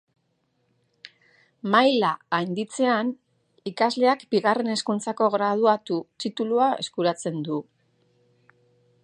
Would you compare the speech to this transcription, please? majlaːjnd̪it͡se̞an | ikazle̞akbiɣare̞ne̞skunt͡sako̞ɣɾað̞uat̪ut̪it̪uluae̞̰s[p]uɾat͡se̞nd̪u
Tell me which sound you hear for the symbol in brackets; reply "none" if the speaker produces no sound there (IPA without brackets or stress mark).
k